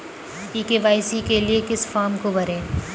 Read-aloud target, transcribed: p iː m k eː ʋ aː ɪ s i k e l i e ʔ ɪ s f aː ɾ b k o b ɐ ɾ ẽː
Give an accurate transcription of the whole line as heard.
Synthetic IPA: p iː k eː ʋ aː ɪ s i k e l i e k ɪ s f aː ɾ m k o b ɐ ɾ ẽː